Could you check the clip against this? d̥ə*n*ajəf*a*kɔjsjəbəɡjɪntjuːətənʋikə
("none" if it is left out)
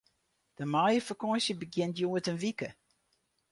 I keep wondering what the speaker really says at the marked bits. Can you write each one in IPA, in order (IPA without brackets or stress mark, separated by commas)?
m, ə